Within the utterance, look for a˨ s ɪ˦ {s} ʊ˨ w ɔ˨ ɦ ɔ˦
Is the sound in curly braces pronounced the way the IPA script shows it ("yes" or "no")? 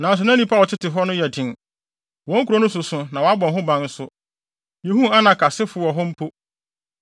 no